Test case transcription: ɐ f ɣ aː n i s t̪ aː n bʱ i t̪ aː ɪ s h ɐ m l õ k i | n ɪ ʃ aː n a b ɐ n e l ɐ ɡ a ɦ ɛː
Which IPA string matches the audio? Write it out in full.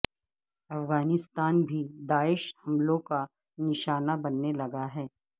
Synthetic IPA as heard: ɐ f ɣ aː n ɪ s t̪ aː n bʱ i d̪ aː ɪ ʃ h ɐ m l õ k a | n ɪ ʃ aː n a b ɐ nː e l ɐ ɡ a ɦ ɛː